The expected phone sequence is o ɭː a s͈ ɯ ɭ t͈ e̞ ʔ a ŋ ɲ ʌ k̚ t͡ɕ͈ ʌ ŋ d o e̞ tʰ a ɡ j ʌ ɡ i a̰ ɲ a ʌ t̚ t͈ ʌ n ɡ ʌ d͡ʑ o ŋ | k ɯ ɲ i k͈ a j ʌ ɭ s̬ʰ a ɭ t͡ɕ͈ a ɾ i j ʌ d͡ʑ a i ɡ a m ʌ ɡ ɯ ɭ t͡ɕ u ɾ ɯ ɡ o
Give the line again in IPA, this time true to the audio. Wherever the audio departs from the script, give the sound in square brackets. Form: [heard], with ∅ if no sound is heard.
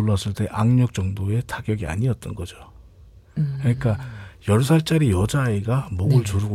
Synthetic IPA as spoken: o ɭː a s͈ ɯ ɭ t͈ e̞ ʔ a ŋ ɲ ʌ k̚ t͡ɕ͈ ʌ ŋ d o e̞ tʰ a ɡ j ʌ ɡ i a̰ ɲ [i] ʌ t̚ t͈ ʌ n ɡ ʌ d͡ʑ o [∅] | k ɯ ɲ i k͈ a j ʌ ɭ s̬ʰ a ɭ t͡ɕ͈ a ɾ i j ʌ d͡ʑ a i ɡ a m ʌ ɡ ɯ ɭ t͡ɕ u ɾ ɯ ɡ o